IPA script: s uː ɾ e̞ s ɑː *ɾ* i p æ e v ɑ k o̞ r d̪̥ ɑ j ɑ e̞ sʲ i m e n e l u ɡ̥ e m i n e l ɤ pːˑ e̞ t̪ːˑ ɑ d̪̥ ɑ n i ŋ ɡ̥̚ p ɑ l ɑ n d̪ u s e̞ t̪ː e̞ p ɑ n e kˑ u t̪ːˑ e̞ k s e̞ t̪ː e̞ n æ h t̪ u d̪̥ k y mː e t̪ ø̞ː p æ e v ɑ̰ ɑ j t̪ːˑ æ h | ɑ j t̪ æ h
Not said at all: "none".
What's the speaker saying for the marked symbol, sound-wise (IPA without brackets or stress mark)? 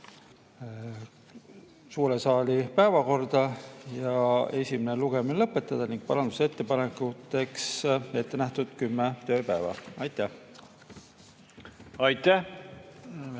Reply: l